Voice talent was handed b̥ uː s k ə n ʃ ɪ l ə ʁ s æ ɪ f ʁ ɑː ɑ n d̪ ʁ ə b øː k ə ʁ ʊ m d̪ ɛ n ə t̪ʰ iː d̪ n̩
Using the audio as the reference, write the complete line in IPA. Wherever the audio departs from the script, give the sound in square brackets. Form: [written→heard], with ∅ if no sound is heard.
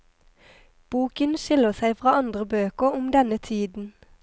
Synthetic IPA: b̥ uː [s→∅] k ə n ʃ ɪ l ə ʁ s æ ɪ f ʁ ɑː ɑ n d̪ ʁ ə b øː k ə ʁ ʊ m d̪ ɛ n ə t̪ʰ iː d̪ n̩

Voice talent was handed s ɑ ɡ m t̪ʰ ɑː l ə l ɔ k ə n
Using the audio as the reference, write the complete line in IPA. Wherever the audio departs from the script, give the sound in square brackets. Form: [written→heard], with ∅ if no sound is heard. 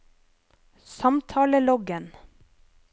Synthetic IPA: s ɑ [ɡ→∅] m t̪ʰ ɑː l ə l ɔ [k→ɡ] ə n

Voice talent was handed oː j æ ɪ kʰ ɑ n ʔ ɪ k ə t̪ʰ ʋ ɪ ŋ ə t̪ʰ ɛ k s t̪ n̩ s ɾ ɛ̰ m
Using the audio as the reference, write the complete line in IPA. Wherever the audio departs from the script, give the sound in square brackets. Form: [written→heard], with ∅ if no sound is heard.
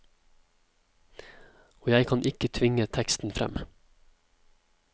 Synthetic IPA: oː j æ ɪ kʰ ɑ n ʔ ɪ k ə t̪ʰ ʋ ɪ ŋ ə t̪ʰ ɛ k s t̪ n̩ [s→f] ɾ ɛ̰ m

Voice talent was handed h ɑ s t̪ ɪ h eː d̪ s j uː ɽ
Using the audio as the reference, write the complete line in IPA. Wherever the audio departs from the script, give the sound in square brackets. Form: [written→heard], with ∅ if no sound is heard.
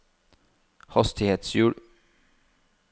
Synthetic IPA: h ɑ s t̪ ɪ h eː [d̪→t̪] s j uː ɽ

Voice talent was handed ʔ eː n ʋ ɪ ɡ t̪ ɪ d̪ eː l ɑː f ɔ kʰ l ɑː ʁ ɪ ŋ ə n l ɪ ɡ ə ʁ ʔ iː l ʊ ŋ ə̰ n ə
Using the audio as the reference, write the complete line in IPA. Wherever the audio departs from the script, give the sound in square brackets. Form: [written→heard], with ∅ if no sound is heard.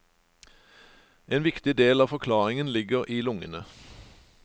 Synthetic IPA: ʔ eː n ʋ ɪ [ɡ→k] t̪ ɪ d̪ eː l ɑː f ɔ kʰ l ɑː ʁ ɪ ŋ ə n l ɪ ɡ ə ʁ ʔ iː l ʊ ŋ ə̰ n ə

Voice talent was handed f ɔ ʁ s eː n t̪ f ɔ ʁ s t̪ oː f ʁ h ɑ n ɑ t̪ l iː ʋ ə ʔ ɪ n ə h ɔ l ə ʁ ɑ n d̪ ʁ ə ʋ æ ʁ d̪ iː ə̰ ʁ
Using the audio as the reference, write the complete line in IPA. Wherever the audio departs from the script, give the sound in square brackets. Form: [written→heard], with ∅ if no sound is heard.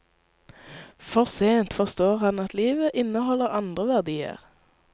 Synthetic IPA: f ɔ ʁ s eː n t̪ f ɔ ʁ s t̪ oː [f→∅] ʁ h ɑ n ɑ t̪ l iː ʋ ə ʔ ɪ n ə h ɔ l ə ʁ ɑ n d̪ ʁ ə ʋ æ ʁ d̪ iː ə̰ ʁ

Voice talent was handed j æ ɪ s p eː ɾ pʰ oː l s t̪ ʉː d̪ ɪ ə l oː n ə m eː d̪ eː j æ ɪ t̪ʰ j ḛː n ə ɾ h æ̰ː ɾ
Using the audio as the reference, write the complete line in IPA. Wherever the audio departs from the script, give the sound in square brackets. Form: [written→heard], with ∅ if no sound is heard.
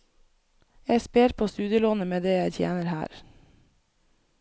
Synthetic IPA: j æ ɪ s p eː ɾ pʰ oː [l→∅] s t̪ ʉː d̪ ɪ ə l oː n ə m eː d̪ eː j æ ɪ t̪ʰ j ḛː n ə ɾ h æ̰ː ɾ

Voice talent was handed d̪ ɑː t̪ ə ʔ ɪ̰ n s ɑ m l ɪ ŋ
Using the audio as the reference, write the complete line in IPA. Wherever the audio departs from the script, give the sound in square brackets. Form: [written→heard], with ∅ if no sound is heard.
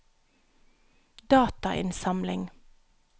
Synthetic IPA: d̪ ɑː t̪ [ə→ɑ] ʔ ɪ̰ n s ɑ m l ɪ ŋ

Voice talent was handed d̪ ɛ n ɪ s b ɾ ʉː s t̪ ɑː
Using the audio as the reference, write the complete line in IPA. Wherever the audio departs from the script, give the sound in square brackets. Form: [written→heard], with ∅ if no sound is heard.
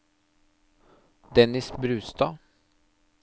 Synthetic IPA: d̪ ɛ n ɪ s b ɾ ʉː s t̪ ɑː

